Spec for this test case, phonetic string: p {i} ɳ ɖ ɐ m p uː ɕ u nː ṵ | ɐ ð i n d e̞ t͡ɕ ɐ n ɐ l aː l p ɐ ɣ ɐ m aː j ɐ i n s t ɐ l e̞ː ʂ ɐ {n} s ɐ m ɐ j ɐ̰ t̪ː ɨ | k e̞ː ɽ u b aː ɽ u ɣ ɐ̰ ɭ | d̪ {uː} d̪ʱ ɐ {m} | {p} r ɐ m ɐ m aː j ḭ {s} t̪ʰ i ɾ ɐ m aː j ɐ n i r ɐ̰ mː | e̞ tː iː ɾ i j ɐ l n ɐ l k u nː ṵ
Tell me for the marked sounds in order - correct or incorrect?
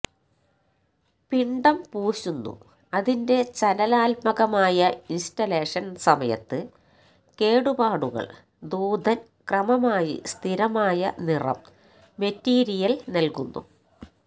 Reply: correct, correct, correct, incorrect: n, incorrect: k, correct

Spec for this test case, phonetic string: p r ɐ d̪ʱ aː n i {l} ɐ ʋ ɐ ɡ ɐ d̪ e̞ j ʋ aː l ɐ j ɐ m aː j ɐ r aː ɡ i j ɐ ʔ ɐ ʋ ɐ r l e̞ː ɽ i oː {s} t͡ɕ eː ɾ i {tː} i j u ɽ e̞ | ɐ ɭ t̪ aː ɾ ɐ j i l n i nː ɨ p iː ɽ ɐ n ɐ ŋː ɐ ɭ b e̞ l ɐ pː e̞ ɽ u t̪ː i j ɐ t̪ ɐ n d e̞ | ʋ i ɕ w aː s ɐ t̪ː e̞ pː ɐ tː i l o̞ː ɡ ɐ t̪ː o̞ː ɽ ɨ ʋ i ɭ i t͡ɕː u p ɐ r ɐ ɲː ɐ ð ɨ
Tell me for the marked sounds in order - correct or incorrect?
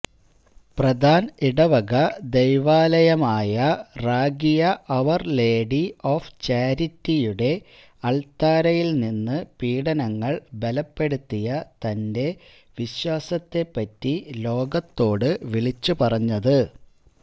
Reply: incorrect: ɽ, incorrect: f, correct

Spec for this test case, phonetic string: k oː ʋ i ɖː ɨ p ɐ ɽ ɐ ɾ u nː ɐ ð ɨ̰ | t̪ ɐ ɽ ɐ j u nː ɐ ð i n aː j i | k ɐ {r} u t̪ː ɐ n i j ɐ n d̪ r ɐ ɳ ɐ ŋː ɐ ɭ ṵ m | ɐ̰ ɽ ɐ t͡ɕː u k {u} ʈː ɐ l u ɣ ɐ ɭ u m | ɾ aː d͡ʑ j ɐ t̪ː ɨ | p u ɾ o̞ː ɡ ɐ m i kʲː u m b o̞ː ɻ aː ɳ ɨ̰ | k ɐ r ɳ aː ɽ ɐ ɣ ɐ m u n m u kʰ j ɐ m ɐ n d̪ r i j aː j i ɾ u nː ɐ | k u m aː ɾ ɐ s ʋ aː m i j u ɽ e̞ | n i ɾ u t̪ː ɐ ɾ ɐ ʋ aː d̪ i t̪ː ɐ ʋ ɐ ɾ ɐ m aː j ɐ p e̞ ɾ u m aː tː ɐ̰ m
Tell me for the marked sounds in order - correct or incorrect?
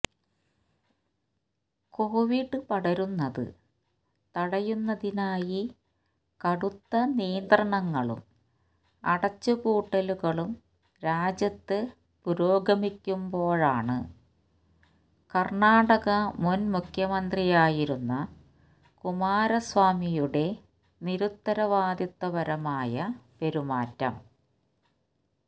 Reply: incorrect: ɽ, incorrect: uː

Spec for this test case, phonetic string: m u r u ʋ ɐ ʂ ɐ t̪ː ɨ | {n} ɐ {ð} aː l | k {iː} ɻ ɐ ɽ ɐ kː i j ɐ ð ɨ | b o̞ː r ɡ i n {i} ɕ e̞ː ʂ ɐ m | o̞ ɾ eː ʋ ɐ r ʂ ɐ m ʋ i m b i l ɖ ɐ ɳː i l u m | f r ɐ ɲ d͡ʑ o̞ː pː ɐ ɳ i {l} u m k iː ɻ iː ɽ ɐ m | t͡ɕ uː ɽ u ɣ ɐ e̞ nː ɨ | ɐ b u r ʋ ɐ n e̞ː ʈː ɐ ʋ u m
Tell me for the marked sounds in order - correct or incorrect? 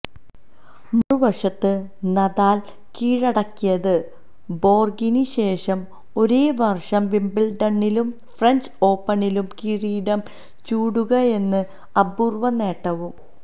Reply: correct, correct, correct, correct, correct

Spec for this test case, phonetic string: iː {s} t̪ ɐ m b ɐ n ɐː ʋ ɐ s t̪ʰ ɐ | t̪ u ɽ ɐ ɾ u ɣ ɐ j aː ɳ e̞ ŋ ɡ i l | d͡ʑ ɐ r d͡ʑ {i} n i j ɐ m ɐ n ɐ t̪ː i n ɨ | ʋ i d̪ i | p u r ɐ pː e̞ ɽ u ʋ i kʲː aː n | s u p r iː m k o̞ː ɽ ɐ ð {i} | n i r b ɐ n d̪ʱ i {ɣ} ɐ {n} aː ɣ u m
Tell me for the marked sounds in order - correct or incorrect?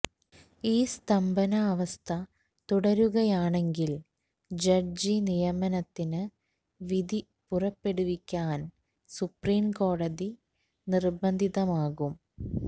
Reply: correct, correct, correct, incorrect: ð, incorrect: m

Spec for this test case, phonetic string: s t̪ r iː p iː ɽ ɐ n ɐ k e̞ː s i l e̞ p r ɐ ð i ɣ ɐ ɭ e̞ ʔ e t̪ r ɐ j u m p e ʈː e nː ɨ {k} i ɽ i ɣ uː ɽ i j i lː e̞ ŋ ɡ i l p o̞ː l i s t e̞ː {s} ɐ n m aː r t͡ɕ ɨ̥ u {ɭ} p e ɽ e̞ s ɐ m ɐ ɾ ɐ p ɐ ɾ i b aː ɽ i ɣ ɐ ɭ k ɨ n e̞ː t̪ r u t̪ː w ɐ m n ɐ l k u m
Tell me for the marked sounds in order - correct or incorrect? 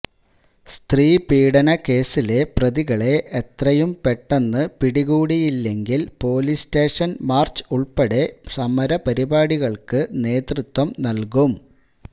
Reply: incorrect: p, incorrect: ʂ, correct

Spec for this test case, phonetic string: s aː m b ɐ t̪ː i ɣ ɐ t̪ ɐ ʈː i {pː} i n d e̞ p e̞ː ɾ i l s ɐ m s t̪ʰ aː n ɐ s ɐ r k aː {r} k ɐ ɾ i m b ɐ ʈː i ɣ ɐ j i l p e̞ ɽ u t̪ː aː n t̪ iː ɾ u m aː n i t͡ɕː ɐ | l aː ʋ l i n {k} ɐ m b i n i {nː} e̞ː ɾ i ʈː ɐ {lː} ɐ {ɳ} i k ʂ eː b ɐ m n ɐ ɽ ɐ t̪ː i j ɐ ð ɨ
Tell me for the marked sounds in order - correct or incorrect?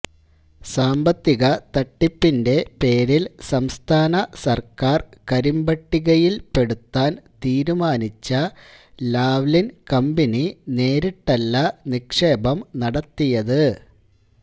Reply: correct, correct, correct, incorrect: n, correct, incorrect: n

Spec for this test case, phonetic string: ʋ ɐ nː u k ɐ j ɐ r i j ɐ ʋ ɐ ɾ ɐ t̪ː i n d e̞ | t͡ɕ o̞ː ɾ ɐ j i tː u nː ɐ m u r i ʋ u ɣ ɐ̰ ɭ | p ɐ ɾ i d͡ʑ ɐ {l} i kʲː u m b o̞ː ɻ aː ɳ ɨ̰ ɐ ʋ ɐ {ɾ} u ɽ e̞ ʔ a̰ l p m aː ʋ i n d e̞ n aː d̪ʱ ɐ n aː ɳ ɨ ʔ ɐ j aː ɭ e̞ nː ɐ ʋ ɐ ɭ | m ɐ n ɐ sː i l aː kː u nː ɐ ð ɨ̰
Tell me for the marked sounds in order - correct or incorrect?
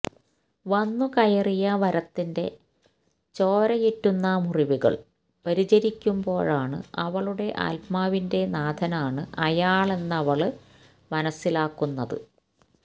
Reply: incorrect: ɾ, incorrect: ɭ

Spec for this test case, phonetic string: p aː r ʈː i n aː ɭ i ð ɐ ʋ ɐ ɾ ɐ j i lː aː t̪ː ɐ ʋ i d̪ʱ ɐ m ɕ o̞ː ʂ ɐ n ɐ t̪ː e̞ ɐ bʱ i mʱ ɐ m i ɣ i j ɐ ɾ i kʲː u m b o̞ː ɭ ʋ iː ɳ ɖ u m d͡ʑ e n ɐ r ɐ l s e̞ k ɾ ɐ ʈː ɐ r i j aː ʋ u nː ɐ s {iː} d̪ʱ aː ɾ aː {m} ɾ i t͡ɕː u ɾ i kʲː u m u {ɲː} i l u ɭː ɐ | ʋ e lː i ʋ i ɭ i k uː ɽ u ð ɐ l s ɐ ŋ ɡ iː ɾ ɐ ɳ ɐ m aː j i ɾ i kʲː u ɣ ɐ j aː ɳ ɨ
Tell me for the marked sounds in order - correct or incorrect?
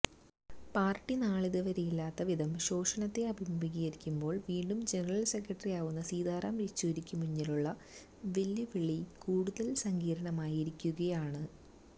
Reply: correct, correct, correct

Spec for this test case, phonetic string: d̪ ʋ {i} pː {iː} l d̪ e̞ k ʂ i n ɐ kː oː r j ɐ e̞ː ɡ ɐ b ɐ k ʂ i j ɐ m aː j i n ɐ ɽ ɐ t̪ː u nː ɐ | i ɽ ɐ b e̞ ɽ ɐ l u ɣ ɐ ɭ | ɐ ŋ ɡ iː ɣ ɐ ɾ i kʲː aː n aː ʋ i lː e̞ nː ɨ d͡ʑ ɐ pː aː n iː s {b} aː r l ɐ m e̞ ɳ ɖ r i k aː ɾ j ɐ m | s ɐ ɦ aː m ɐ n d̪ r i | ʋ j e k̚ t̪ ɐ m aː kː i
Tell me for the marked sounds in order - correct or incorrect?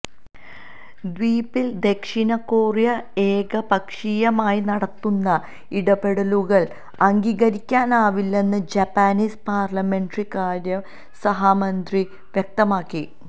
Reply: incorrect: iː, incorrect: i, incorrect: p

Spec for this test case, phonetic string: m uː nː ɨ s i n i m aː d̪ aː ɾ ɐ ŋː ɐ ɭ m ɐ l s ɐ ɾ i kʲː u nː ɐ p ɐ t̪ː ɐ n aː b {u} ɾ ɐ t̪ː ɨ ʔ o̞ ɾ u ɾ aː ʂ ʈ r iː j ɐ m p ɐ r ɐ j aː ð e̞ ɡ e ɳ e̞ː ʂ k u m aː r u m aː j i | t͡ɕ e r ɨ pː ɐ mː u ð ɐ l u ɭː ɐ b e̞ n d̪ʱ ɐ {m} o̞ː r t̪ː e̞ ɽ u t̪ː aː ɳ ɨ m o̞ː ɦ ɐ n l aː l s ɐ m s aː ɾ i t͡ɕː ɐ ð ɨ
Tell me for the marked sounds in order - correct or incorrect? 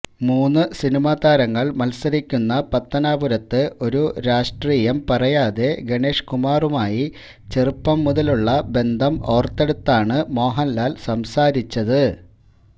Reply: correct, correct

